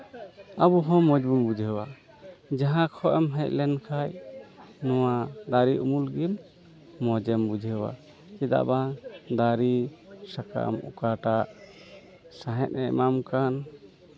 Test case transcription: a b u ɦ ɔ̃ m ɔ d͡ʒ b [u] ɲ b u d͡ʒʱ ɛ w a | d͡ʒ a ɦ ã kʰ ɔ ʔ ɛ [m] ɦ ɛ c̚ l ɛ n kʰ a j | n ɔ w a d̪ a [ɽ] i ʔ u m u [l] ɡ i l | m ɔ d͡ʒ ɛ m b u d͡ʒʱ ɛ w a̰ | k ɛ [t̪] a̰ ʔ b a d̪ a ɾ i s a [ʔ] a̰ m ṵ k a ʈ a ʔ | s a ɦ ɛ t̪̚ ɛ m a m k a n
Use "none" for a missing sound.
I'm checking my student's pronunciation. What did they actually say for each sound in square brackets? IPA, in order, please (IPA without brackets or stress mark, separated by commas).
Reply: u, m, ɾ, l, d̪, k